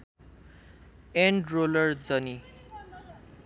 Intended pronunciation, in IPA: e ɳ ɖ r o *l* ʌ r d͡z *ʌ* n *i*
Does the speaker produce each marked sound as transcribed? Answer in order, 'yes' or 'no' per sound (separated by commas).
yes, yes, yes